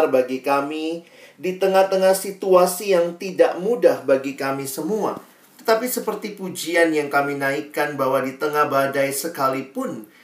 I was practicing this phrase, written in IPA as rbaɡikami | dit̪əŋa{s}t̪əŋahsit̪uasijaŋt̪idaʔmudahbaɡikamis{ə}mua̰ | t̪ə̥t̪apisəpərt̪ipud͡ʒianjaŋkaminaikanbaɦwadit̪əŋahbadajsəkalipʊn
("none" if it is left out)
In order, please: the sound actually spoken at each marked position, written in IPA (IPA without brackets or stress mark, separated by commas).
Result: h, ə